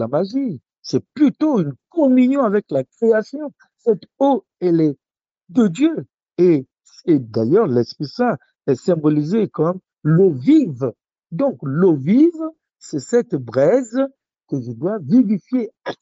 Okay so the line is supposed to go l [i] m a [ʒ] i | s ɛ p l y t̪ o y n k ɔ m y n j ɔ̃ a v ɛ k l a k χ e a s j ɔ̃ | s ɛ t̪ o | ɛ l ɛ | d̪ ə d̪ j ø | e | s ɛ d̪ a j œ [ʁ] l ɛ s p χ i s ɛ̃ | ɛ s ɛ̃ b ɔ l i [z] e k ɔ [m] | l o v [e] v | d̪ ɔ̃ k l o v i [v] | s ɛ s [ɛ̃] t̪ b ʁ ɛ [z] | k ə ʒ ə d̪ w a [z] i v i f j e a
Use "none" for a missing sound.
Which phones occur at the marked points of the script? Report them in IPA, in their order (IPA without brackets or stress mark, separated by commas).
a, ʒ, ʁ, z, m, i, v, ɛ, z, v